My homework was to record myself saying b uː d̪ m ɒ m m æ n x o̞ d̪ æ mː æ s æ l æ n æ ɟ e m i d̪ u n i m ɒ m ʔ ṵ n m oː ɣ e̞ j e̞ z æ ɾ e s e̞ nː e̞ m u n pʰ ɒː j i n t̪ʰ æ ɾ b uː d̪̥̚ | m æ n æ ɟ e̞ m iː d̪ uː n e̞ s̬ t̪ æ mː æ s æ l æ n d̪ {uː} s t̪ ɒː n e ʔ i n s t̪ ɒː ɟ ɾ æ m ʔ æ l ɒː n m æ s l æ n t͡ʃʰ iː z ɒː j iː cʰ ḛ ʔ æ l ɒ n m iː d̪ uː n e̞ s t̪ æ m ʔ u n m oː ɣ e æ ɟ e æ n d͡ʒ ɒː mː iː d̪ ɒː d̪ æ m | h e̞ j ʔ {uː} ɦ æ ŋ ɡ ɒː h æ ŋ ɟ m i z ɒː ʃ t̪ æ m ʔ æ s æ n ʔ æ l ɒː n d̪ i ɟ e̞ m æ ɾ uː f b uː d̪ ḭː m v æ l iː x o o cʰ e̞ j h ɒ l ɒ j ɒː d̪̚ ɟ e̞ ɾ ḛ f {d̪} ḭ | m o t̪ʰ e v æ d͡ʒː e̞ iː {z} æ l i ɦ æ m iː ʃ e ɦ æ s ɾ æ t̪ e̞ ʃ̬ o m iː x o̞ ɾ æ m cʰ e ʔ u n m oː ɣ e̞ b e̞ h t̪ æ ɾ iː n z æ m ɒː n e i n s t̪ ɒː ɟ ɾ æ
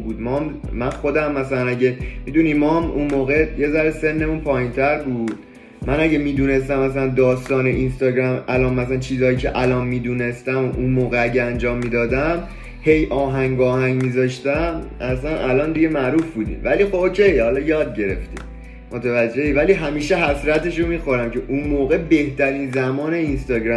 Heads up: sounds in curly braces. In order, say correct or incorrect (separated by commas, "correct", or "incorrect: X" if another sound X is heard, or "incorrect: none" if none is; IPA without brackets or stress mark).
incorrect: ɒː, incorrect: ɒː, incorrect: t̪, incorrect: v